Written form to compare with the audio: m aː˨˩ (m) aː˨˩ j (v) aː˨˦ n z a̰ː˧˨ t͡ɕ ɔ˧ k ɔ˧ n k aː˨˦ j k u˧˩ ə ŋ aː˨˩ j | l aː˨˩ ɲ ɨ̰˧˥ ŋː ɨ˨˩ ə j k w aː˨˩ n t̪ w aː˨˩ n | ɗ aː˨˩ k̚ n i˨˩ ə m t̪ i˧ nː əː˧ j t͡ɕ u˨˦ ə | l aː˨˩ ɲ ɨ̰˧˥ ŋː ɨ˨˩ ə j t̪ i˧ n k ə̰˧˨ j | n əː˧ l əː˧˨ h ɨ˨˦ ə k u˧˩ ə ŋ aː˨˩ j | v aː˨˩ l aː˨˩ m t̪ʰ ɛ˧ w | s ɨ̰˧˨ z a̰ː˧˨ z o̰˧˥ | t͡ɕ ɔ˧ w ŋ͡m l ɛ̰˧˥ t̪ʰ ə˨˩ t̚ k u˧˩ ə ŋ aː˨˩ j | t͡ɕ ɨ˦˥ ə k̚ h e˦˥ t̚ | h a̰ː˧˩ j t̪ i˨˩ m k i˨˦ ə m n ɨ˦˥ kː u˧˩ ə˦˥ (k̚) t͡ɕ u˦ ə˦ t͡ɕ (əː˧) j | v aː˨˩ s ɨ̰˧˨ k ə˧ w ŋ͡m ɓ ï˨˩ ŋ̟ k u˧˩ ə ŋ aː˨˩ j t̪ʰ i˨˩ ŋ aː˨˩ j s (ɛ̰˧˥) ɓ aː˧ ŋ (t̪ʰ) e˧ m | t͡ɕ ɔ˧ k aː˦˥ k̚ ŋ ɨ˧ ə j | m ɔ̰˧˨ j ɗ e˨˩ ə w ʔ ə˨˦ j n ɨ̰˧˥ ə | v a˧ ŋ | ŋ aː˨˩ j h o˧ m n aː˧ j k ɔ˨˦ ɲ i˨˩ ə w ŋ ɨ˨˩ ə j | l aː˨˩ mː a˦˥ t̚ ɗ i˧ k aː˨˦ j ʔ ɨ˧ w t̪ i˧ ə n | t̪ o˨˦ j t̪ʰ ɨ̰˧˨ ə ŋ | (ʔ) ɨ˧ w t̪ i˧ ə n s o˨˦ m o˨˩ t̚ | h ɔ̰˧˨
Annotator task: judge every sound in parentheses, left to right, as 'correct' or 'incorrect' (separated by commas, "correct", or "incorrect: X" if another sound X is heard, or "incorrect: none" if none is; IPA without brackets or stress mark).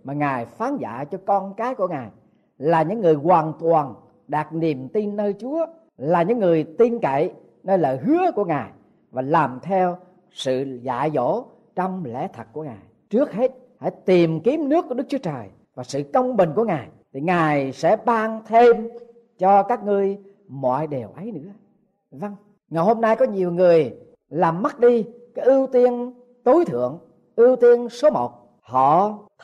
incorrect: ŋ, incorrect: f, correct, incorrect: əː˨˩, correct, correct, correct